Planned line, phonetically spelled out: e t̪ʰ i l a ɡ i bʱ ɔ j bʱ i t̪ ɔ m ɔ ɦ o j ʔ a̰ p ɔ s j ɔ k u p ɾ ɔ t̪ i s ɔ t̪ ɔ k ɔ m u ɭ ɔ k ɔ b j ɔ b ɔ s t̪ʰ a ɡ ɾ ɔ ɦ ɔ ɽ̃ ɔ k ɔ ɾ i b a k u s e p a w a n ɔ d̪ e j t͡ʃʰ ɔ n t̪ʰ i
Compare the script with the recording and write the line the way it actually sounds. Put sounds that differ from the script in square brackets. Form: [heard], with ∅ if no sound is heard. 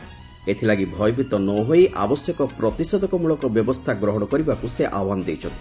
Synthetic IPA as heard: e t̪ʰ i l a ɡ i bʱ ɔ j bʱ i t̪ ɔ [n] ɔ ɦ o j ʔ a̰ [b] ɔ s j ɔ k [ɔ] p ɾ ɔ t̪ i s ɔ [d̪] ɔ k ɔ m u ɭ ɔ k ɔ b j ɔ b ɔ s t̪ʰ a ɡ ɾ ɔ ɦ ɔ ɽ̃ ɔ k ɔ ɾ i b a k u s e [ʔ] a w a n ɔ d̪ e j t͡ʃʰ ɔ n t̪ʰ i